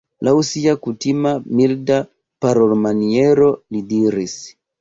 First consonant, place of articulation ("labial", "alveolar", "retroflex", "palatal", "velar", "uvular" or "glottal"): alveolar